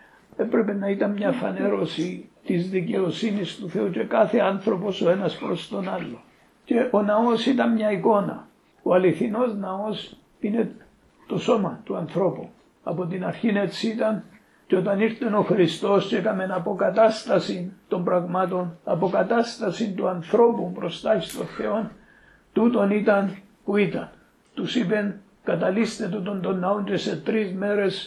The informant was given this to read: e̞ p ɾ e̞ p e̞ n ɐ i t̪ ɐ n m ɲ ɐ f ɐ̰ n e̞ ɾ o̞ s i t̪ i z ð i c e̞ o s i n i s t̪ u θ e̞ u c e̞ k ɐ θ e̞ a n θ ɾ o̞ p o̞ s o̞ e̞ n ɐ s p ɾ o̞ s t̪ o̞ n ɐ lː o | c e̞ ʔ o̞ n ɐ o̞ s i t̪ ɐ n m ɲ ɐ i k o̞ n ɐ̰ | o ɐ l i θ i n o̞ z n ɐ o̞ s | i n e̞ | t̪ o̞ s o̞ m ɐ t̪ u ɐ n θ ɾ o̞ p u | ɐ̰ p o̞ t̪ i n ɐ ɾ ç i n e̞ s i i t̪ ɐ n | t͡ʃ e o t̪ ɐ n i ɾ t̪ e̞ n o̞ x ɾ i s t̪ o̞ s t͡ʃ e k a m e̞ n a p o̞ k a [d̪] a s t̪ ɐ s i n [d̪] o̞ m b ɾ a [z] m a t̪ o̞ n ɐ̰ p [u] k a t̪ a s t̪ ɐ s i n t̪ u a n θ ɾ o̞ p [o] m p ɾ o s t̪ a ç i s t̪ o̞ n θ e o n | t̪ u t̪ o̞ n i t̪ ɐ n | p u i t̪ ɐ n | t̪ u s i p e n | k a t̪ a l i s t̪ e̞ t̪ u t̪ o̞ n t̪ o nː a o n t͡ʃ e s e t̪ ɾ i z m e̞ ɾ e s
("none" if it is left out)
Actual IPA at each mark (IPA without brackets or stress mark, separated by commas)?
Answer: t̪, t̪, ɣ, o, u